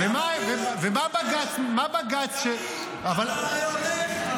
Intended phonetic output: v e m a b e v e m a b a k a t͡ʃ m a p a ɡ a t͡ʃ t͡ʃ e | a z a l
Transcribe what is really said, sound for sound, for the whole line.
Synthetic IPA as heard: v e m a v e v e m a b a ɡ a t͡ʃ m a b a ɡ a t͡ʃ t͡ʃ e | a v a l